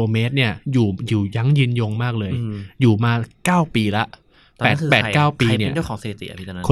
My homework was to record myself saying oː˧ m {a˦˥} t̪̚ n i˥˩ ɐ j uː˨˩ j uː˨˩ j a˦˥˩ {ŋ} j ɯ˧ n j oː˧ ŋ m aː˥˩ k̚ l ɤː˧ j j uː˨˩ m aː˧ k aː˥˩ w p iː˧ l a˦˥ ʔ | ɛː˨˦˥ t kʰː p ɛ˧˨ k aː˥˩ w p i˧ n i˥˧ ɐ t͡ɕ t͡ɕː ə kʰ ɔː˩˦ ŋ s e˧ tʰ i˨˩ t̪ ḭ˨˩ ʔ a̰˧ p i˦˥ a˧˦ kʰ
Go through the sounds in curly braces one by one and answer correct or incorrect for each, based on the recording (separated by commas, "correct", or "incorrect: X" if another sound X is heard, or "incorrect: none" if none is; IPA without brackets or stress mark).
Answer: incorrect: e˦˥, correct